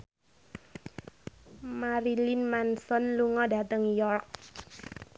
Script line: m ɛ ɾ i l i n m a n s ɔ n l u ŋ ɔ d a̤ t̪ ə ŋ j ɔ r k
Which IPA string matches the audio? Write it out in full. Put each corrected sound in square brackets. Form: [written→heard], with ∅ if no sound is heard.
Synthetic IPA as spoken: m [ɛ→a] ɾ i l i n m a n s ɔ n l u ŋ ɔ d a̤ t̪ ə ŋ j ɔ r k